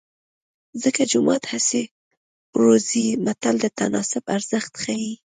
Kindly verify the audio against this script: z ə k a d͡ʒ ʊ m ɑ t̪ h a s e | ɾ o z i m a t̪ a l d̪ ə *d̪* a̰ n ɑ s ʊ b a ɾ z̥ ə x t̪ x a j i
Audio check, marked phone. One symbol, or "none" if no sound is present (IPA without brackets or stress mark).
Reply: t̪